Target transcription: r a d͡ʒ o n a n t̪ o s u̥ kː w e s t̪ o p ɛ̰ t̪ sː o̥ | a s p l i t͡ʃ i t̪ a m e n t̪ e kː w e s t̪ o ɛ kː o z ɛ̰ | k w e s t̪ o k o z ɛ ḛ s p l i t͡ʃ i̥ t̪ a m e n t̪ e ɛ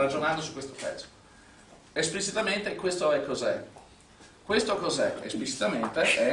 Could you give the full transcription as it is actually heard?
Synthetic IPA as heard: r a d͡ʒ o n a n d̪ o s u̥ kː w e s t̪ o p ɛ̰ t̪ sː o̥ | e s p l i t͡ʃ i t̪ a m e n t̪ e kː w e s t̪ o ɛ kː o z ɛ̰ | k w e s t̪ o k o z ɛ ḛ s p l i t͡ʃ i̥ t̪ a m e n t̪ e ɛ